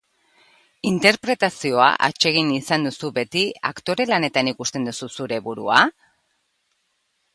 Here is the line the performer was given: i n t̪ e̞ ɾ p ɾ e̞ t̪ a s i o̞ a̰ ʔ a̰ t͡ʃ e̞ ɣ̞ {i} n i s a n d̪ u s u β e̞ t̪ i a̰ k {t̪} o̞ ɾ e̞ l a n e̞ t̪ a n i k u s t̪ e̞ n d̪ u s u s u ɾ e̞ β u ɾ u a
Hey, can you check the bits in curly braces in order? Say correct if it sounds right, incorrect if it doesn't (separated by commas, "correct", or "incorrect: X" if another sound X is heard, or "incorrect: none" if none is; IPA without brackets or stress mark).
correct, correct